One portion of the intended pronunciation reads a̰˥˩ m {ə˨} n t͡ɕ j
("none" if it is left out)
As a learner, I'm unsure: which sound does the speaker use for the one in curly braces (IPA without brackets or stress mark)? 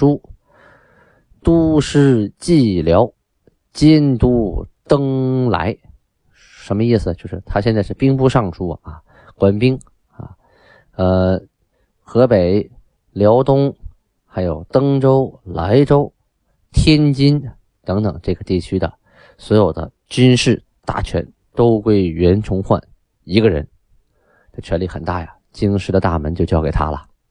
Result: ə˧˥